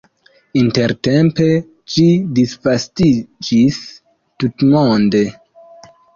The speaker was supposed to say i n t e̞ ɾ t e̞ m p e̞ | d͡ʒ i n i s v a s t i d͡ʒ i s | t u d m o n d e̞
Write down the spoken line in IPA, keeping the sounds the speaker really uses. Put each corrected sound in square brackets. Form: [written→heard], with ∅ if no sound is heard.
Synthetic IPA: i n t e̞ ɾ t e̞ m p e̞ | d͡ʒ i [n→d] i s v a s t i d͡ʒ i s | t u [d→t] m o n d e̞